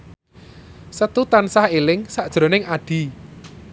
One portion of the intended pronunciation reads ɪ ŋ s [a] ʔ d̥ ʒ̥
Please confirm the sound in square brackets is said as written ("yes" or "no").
yes